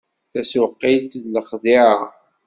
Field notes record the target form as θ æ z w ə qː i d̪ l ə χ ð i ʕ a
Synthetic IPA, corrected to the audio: θ æ s w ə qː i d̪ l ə χ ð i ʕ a